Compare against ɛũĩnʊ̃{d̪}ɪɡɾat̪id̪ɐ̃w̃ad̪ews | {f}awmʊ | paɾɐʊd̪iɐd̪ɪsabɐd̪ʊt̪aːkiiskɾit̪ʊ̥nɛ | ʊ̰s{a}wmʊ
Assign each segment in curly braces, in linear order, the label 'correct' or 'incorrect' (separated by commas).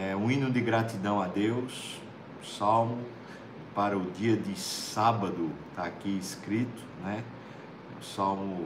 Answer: correct, incorrect, correct